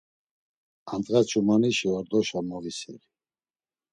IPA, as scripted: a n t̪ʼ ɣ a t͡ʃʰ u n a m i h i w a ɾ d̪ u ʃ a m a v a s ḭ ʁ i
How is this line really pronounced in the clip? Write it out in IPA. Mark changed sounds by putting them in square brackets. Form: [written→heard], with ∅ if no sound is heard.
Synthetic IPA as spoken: a n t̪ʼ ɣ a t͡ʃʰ u [n→m] a [m→n] i [h→ʃ] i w a ɾ d̪ [u→ɔ] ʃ a m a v [a→i] s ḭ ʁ i